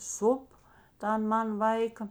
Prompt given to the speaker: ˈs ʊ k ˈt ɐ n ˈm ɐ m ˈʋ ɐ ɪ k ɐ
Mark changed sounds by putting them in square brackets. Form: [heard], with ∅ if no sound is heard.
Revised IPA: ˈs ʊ [p] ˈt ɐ n ˈm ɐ [n] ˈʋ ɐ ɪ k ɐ